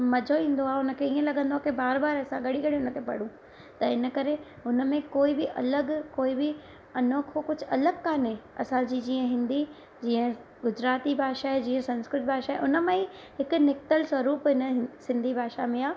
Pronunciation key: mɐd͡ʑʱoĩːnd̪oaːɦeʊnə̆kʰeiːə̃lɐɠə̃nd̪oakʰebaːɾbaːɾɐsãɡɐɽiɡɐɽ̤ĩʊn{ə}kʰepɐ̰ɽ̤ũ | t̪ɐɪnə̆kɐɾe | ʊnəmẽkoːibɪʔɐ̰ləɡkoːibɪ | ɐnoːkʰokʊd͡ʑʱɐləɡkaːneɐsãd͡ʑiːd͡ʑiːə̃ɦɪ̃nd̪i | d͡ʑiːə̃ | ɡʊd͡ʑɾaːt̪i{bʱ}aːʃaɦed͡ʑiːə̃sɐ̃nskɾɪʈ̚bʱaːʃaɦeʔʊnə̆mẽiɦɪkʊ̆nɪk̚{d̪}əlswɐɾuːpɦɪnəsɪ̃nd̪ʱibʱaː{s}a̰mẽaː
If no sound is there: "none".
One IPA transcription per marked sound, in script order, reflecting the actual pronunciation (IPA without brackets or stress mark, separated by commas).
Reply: ə, bʱ, t̪, ʃ